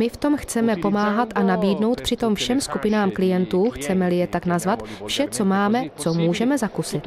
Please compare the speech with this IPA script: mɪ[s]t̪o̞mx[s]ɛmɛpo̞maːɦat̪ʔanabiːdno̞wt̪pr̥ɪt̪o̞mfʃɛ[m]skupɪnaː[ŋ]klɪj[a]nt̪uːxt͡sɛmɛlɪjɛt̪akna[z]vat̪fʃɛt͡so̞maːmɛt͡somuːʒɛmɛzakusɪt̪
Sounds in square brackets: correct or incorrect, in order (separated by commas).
incorrect, incorrect, correct, incorrect, incorrect, correct